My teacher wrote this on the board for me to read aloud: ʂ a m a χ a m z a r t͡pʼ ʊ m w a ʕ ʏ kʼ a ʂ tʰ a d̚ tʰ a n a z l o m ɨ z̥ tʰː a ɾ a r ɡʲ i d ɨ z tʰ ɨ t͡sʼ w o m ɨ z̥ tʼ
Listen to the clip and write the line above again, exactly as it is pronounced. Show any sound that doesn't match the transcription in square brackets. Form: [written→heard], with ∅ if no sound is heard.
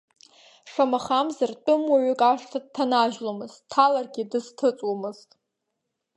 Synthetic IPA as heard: ʂ a m a χ a m z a r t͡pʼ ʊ m w a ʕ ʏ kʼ a ʂ tʰ a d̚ tʰ a n a [z→ʒ] l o m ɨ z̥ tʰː a [ɾ→l] a r ɡʲ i d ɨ z tʰ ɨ t͡sʼ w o m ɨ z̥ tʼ